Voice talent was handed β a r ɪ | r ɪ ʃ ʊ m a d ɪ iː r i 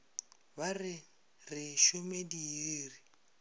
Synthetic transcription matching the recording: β a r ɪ | r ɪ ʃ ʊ m e d i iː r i